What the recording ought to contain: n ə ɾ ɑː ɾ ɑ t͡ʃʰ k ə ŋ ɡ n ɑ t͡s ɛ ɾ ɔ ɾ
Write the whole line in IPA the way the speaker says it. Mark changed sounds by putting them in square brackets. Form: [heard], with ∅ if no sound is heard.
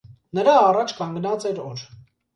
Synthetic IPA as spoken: n ə ɾ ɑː [r] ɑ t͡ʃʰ k [ɑ] ŋ ɡ n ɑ t͡s ɛ ɾ ɔ ɾ